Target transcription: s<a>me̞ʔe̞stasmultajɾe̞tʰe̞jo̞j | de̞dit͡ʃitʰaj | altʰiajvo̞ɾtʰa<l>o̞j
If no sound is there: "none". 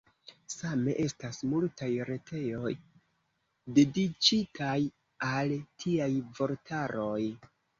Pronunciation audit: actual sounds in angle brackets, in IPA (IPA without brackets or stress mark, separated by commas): a, ɾ